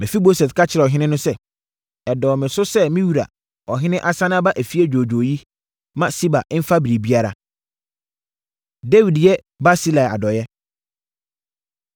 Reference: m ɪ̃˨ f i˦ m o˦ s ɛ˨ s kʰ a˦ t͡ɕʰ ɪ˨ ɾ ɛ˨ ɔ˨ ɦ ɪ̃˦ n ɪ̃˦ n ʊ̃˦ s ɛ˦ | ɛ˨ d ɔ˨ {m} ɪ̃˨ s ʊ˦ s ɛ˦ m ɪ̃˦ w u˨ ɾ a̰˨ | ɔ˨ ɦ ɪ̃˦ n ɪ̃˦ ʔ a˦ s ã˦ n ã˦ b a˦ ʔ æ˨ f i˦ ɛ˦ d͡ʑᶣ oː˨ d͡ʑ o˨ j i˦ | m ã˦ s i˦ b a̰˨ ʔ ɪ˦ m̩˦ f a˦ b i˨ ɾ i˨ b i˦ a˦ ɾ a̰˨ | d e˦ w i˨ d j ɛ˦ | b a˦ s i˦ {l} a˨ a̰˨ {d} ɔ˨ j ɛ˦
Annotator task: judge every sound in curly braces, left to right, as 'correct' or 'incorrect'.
correct, correct, correct

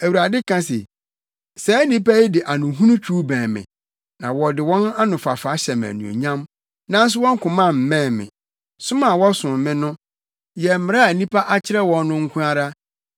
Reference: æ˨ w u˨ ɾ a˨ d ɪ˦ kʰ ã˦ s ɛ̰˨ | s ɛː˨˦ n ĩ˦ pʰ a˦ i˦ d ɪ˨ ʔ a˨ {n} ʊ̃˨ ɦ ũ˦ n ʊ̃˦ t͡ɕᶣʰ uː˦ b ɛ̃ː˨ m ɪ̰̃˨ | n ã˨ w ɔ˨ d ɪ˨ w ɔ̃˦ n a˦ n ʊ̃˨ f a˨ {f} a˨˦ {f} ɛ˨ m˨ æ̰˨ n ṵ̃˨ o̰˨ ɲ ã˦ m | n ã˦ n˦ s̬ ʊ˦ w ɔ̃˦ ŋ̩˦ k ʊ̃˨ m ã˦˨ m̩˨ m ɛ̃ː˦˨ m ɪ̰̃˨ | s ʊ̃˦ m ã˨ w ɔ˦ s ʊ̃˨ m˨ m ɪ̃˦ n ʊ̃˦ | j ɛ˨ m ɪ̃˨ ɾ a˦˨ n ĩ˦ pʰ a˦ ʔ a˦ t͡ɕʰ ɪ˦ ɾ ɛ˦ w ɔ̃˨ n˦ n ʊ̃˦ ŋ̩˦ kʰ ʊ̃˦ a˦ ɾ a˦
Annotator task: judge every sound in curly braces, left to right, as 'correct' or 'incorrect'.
correct, correct, incorrect: ɕ

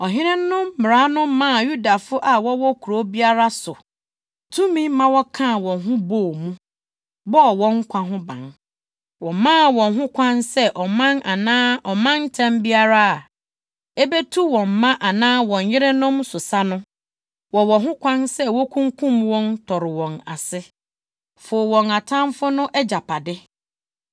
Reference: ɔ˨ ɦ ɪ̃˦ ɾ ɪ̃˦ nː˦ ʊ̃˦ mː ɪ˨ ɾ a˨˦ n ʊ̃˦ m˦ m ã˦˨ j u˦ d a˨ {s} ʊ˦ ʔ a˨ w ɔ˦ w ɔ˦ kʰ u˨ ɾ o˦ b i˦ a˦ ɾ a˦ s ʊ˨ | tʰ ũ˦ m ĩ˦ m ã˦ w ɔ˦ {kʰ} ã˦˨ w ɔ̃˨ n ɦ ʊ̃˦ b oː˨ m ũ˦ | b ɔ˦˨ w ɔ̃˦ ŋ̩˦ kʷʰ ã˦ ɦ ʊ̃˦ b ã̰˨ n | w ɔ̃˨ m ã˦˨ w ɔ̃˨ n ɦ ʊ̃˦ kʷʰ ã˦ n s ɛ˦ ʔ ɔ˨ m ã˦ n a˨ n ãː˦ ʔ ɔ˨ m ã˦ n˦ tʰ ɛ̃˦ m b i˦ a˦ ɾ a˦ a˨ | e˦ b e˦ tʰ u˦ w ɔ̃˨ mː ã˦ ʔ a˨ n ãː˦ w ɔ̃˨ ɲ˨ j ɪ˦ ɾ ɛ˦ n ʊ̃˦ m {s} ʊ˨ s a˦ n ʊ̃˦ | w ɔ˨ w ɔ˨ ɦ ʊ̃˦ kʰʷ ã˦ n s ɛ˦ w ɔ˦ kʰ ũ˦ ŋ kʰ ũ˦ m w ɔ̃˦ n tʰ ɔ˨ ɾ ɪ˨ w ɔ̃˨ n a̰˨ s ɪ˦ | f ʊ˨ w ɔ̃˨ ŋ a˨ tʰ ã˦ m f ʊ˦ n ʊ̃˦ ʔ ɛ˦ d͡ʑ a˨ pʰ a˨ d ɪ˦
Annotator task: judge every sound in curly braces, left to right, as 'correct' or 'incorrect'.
incorrect: f, correct, correct

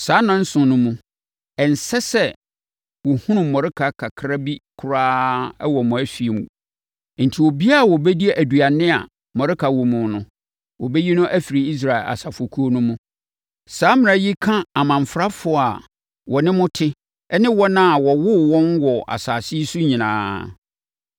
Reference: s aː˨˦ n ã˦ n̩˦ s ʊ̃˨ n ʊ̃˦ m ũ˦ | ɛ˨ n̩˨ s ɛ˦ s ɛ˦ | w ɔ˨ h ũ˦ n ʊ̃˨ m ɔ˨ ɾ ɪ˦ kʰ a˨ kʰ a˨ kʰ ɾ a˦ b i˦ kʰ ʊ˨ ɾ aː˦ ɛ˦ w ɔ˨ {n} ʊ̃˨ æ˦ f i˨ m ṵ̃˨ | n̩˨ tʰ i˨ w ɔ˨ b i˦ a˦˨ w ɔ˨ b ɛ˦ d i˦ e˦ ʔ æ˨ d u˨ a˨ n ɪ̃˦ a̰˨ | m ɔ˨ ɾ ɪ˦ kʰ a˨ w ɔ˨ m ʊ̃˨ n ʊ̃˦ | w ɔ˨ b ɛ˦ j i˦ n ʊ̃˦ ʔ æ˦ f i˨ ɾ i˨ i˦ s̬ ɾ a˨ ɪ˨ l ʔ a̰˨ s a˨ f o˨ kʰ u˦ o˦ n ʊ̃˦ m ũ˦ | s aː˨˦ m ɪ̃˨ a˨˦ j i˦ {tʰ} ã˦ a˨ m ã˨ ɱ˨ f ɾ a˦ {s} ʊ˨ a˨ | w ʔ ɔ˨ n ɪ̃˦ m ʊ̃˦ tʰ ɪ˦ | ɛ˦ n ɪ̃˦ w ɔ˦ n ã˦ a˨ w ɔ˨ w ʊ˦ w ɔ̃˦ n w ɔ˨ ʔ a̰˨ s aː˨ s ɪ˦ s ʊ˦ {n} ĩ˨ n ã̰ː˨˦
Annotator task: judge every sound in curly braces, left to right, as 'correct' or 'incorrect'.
incorrect: m, incorrect: kʰ, incorrect: f, incorrect: ɲ

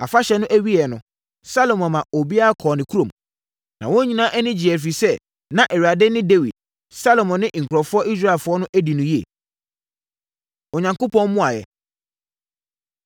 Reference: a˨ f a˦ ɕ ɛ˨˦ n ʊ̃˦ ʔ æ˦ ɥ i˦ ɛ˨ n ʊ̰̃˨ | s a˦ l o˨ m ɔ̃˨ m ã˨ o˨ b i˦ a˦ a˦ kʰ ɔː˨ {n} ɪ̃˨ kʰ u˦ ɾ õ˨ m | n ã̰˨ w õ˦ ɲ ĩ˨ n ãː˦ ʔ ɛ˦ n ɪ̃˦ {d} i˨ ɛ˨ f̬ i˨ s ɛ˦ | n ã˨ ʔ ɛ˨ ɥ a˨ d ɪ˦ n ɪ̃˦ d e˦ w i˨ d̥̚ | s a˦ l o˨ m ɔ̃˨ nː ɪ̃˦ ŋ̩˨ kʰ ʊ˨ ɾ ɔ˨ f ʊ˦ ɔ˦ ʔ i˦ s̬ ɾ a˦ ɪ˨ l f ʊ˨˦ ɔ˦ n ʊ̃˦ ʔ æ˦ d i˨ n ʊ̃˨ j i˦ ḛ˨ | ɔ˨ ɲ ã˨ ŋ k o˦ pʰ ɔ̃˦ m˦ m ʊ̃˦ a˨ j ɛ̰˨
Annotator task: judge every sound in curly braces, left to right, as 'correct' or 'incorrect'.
correct, incorrect: d͡ʑ

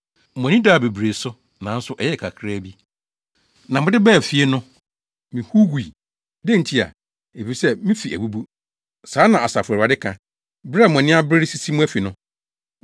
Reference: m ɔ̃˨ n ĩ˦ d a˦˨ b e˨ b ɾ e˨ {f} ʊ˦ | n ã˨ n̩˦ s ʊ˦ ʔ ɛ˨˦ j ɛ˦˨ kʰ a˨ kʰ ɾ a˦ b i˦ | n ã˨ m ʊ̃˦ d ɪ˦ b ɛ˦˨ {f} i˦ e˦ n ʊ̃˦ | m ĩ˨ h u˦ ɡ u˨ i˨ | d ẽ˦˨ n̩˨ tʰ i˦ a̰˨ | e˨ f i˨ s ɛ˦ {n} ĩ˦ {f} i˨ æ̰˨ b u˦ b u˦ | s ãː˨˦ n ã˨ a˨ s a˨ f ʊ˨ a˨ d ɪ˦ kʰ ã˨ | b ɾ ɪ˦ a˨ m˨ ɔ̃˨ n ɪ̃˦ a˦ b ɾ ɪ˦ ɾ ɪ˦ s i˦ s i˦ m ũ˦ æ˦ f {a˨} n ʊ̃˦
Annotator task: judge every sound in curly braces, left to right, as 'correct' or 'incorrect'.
incorrect: s, correct, incorrect: m, correct, incorrect: i˨

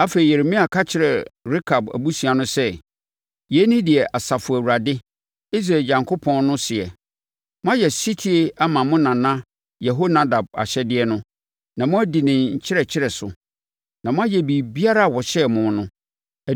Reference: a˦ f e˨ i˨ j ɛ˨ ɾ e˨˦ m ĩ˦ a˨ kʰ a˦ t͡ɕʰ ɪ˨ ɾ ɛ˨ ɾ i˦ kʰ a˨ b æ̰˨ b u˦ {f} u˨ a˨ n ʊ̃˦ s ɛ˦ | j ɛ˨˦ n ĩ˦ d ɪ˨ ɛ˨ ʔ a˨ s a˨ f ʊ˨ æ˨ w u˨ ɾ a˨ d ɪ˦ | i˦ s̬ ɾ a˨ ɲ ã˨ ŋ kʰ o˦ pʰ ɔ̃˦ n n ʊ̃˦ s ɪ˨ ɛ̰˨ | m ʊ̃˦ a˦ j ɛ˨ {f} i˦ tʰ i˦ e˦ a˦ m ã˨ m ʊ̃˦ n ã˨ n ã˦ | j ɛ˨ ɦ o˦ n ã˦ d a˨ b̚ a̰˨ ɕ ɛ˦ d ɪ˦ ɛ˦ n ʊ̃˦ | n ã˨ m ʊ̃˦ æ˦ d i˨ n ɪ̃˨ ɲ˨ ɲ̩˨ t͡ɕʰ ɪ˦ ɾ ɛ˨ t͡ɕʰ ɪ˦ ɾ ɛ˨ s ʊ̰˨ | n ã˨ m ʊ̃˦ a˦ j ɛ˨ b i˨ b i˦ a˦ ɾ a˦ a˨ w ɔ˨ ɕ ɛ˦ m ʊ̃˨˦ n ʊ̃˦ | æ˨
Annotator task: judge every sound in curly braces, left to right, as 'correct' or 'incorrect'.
incorrect: s, incorrect: s

